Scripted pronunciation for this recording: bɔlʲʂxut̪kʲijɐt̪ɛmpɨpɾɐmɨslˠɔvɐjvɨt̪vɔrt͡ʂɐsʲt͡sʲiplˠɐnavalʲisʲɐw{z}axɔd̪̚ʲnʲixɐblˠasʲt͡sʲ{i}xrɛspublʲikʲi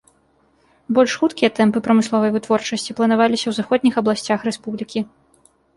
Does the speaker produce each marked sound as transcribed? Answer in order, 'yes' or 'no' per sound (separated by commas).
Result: yes, no